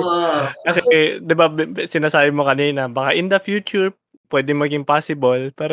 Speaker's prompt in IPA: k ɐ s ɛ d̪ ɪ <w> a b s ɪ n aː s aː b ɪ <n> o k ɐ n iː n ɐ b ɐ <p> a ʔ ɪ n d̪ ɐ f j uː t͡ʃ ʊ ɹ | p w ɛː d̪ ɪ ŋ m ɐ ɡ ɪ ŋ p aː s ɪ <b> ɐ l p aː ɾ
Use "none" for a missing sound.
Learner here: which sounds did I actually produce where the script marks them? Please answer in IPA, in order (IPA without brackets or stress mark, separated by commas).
b, m, k, b